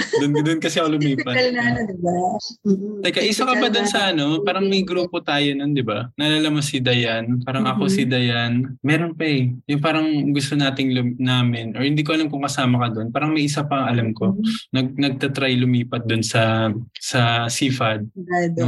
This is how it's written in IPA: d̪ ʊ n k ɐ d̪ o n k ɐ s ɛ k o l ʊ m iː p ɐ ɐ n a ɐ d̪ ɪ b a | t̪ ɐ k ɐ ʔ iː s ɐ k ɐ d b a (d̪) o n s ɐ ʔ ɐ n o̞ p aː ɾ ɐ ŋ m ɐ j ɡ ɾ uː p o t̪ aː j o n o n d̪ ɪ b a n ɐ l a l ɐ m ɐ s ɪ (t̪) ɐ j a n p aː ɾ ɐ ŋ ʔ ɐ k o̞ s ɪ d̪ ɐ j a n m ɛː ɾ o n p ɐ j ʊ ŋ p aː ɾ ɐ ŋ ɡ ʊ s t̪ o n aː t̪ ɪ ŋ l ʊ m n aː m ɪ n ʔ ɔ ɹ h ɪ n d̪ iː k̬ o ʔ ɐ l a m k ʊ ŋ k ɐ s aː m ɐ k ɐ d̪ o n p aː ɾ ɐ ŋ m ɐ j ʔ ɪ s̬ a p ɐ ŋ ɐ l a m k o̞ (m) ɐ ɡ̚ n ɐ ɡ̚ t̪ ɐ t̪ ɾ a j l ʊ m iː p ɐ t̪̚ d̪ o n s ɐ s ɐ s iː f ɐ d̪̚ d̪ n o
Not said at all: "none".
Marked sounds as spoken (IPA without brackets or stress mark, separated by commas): d̪, d̪, n